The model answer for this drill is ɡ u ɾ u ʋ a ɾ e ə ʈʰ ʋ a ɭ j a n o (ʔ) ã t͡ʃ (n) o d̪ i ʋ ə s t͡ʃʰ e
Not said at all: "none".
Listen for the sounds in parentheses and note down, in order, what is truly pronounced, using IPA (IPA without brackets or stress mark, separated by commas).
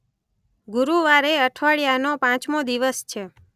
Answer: p, m